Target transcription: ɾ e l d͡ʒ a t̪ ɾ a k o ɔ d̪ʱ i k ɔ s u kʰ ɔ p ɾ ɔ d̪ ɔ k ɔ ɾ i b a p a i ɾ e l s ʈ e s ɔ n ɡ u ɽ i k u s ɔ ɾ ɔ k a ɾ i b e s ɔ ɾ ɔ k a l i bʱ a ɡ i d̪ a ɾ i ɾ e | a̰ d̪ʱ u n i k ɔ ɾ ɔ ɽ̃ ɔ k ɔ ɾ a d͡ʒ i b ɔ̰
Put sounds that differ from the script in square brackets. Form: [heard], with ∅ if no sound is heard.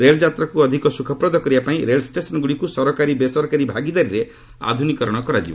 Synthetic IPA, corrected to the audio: ɾ e l d͡ʒ a t̪ ɾ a k [u] ɔ d̪ʱ i k ɔ s u kʰ ɔ p ɾ ɔ d̪ ɔ k ɔ ɾ i b a p a [ĩ] ɾ e l s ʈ e s ɔ n ɡ u ɽ i k u s ɔ ɾ ɔ k a ɾ i b e s ɔ ɾ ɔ k a [ɾ] i bʱ a ɡ i d̪ a ɾ i ɾ e | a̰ d̪ʱ u n i k ɔ ɾ ɔ ɽ̃ ɔ k ɔ ɾ a d͡ʒ i b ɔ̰